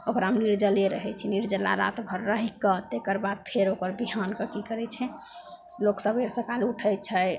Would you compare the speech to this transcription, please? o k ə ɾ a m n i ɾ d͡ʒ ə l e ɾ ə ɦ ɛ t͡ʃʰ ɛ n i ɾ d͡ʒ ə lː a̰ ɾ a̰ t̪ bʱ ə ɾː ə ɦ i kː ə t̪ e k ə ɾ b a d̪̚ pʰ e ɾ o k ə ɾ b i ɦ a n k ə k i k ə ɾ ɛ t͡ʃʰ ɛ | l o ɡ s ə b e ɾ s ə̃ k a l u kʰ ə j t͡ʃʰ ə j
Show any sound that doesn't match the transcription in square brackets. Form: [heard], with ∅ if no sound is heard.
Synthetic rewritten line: o k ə ɾ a m n i ɾ d͡ʒ ə l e ɾ ə ɦ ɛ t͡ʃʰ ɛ n i ɾ d͡ʒ ə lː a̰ ɾ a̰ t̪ bʱ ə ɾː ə ɦ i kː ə t̪ e k ə ɾ b a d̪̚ pʰ e ɾ o k ə ɾ b i ɦ a n k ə k i k ə ɾ ɛ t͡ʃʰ ɛ | l o [k] s ə b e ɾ s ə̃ k a l u [ʈʰ] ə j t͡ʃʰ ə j

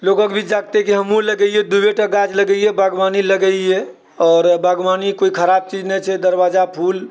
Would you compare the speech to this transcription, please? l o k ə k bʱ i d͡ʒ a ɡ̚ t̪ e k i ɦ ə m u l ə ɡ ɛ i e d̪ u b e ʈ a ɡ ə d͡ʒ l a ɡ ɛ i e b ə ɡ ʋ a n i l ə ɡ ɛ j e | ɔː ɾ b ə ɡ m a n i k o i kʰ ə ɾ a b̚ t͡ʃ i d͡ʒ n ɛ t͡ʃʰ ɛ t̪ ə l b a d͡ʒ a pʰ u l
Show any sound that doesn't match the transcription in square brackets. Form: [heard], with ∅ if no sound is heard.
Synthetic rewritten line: l o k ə k bʱ i d͡ʒ a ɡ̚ t̪ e k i ɦ ə m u l ə ɡ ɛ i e d̪ u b e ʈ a ɡ [a] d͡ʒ l [ə] ɡ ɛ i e b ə ɡ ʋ a n i l ə ɡ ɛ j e | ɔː ɾ b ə ɡ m a n i k o i kʰ ə ɾ a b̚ t͡ʃ i d͡ʒ n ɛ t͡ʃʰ ɛ [d̪] ə [ɾ] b a d͡ʒ a pʰ u l

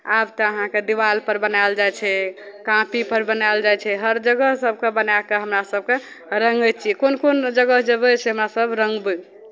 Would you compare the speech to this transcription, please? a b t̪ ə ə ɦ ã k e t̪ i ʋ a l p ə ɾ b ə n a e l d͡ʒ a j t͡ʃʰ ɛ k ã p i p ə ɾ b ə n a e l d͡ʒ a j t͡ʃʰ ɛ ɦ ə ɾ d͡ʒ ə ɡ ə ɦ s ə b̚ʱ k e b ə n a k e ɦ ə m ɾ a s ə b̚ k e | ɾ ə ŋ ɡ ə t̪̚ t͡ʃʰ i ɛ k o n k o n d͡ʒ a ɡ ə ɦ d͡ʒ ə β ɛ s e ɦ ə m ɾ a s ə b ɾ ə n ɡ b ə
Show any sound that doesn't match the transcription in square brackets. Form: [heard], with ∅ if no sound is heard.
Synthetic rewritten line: a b t̪ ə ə ɦ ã k e [d̪] i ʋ a l p ə ɾ b ə n a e l d͡ʒ a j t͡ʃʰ ɛ k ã p i p ə ɾ b ə n a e l d͡ʒ a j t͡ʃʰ ɛ ɦ ə ɾ d͡ʒ ə ɡ ə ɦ s ə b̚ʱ k e b ə n a k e ɦ ə m ɾ a s ə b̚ k e | ɾ ə ŋ ɡ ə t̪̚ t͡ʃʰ i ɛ k o n k o n d͡ʒ [ə] ɡ ə ɦ d͡ʒ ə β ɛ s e ɦ ə m ɾ a s ə b ɾ ə [ŋ] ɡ b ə

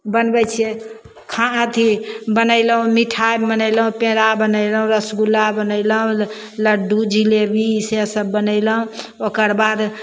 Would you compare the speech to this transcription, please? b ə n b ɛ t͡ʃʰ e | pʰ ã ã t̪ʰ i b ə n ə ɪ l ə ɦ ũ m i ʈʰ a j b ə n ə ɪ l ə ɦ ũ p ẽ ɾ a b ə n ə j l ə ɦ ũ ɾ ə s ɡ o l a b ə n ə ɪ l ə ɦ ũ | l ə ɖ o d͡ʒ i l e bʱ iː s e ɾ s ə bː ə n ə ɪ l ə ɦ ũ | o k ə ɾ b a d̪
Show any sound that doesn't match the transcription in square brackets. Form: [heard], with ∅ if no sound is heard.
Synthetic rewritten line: b ə n b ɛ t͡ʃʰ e | [kʰ] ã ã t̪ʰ i b ə n ə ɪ l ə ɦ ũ m i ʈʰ a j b ə n ə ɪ l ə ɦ ũ p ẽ ɾ a b ə n ə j l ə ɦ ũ ɾ ə s ɡ [u] l a b ə n ə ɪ l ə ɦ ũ | l ə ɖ [u] d͡ʒ i l e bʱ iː s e [∅] s ə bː ə n ə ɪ l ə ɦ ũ | o k ə ɾ b a d̪

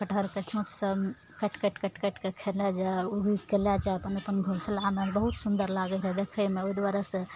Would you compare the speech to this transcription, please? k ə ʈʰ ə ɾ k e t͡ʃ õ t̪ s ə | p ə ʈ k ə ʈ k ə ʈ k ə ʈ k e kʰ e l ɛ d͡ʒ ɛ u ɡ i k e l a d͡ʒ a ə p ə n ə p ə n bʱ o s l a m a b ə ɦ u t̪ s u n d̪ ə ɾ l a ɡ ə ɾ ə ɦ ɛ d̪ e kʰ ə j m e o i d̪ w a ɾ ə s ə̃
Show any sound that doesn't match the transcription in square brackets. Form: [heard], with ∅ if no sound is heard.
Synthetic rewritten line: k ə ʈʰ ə ɾ k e t͡ʃ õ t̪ s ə | [k] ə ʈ k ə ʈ k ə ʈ k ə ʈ k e kʰ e l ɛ d͡ʒ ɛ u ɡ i k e l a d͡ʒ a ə p ə n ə p ə n [ɡʱ] o s l a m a b ə ɦ u t̪ s u n d̪ ə ɾ l a ɡ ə ɾ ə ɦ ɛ d̪ e kʰ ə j m e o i d̪ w a ɾ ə s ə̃

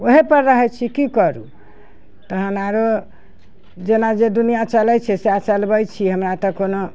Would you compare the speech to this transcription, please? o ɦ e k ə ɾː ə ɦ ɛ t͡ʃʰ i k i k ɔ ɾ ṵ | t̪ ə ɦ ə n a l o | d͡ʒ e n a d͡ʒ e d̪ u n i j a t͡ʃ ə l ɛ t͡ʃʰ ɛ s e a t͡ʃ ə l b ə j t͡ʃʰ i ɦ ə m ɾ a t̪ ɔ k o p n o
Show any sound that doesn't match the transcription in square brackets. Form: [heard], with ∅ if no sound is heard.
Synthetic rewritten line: o ɦ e [p] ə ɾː ə ɦ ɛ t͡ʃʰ i k i k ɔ ɾ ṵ | t̪ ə ɦ ə n a [ɾ] o | d͡ʒ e n a d͡ʒ e d̪ u n i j a t͡ʃ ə l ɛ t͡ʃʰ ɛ s e a t͡ʃ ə l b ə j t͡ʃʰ i ɦ ə m ɾ a t̪ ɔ k o [∅] n o

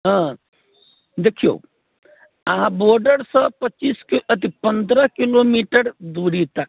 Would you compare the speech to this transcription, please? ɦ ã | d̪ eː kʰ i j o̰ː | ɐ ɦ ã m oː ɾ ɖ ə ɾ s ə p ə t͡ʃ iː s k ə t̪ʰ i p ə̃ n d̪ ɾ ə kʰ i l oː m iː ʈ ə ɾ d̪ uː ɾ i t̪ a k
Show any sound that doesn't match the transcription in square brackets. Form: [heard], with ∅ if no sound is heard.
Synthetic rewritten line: ɦ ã | d̪ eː kʰ i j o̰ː | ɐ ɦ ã [b] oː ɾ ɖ ə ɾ s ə p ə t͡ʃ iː s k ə [t̪] i p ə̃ n d̪ ɾ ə [k] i l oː m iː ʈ ə ɾ d̪ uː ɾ i t̪ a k

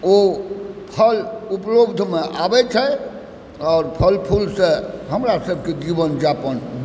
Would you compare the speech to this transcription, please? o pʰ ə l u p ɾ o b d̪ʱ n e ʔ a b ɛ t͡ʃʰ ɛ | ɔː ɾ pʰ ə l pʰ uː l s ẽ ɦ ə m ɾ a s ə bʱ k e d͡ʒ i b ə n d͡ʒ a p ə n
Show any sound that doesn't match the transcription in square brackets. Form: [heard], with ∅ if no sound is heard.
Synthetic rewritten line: o pʰ ə l u p [l] o b d̪ʱ [m] e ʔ a b ɛ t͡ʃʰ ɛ | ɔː ɾ pʰ ə l pʰ [u] l s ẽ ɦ ə m ɾ a s ə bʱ k e d͡ʒ i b ə n d͡ʒ a p ə n

